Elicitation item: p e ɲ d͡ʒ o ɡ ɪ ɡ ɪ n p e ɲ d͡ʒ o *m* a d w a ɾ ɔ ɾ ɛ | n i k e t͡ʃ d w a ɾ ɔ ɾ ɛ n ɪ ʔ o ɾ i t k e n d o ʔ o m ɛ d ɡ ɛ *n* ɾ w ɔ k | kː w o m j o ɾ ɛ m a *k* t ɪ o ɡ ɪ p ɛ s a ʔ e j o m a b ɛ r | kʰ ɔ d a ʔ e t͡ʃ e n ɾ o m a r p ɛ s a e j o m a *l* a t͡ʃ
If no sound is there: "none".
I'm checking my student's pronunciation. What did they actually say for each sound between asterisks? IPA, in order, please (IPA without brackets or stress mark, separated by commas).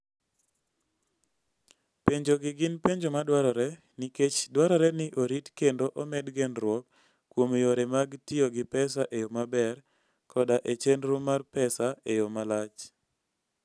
m, n, ɡ, l